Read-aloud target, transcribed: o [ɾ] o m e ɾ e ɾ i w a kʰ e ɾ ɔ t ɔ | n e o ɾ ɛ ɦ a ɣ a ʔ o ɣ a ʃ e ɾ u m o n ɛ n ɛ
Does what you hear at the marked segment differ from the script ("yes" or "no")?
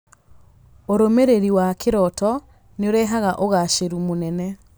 no